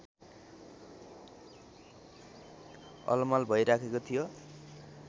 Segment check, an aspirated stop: present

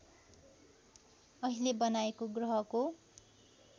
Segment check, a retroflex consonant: absent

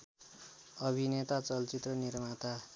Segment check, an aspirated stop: absent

